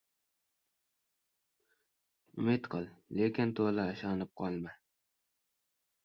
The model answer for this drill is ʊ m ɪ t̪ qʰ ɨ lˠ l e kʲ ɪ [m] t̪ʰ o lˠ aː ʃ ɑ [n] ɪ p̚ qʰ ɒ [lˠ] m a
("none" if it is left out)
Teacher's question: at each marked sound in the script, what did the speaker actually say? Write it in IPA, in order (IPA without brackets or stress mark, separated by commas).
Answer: n, n, lˠ